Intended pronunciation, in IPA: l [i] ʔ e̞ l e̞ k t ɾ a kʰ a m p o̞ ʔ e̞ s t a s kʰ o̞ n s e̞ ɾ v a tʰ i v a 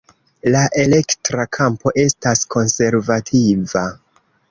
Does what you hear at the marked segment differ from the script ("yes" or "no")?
yes